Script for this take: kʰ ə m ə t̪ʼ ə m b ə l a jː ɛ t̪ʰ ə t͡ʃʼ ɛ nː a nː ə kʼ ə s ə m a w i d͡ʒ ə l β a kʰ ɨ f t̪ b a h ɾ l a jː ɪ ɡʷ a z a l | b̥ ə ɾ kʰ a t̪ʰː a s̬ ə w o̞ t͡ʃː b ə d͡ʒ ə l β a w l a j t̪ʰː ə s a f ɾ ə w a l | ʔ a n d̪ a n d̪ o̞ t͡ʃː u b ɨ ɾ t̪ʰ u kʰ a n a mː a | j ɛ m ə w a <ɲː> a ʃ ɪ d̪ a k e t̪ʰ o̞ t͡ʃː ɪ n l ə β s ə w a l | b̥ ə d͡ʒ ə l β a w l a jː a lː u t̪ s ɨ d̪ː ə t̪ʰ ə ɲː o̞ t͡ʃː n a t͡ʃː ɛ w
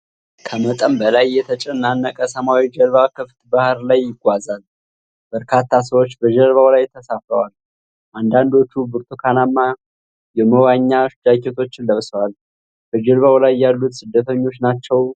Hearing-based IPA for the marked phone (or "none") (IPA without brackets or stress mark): ɲː